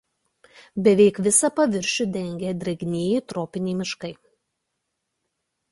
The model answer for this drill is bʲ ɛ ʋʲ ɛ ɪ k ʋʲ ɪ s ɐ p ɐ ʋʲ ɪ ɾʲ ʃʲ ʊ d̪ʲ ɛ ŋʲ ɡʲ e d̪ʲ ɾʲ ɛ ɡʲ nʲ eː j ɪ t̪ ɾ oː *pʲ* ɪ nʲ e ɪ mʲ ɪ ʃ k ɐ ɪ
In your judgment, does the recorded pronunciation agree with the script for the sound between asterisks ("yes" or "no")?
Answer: yes